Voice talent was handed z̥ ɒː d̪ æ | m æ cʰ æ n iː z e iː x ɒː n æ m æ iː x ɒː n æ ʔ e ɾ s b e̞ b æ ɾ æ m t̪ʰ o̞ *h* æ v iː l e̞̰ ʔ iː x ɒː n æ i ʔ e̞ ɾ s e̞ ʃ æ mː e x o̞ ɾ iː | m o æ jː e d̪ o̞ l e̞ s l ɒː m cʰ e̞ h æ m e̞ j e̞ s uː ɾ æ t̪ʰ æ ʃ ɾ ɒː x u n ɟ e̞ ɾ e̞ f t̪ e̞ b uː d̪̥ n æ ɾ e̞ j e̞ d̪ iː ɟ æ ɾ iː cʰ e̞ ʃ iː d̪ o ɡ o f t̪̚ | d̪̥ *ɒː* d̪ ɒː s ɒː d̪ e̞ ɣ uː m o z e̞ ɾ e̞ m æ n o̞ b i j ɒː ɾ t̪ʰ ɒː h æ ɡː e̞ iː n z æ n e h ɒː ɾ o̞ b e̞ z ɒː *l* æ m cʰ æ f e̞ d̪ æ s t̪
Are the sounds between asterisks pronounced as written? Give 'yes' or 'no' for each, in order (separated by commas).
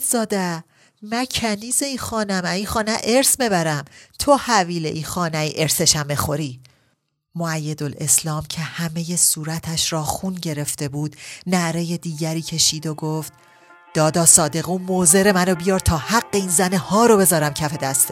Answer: yes, yes, no